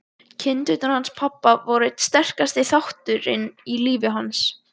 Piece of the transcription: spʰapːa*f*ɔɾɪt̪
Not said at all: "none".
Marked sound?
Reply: v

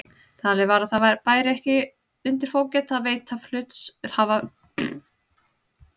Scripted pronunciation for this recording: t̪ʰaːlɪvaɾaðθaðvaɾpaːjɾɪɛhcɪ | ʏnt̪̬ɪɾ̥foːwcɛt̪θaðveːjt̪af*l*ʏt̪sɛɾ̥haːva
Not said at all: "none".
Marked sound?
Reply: l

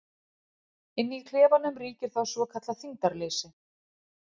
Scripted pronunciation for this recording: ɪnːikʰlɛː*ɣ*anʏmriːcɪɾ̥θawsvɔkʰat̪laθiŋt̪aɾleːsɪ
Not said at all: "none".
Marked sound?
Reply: v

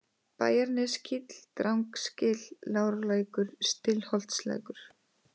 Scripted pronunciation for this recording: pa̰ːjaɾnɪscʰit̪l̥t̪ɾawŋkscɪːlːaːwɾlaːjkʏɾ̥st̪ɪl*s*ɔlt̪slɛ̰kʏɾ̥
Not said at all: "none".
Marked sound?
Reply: h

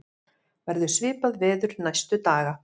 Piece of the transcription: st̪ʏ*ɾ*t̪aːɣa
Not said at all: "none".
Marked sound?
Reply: none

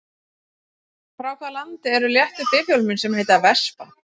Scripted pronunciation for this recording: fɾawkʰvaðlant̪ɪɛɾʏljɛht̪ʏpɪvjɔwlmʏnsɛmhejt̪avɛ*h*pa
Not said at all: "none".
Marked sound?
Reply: s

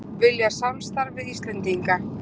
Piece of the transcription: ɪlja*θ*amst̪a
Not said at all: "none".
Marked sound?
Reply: s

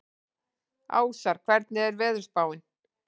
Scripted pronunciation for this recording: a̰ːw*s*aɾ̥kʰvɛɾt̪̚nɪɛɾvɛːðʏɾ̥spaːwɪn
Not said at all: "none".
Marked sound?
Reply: s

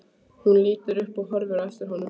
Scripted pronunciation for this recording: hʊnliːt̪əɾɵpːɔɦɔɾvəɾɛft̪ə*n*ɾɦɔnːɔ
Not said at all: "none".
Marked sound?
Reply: none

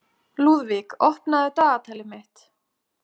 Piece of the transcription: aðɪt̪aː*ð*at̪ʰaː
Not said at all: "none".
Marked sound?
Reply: ɣ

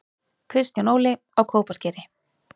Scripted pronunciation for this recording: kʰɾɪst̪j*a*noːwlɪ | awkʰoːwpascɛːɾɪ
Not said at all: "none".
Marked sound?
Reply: a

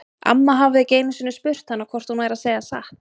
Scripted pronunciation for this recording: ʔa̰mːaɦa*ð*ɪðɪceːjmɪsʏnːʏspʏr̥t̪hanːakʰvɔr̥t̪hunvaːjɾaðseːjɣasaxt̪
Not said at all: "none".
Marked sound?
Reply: v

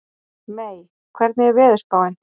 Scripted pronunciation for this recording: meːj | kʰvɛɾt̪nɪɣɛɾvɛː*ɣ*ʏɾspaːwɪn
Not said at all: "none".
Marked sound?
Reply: ð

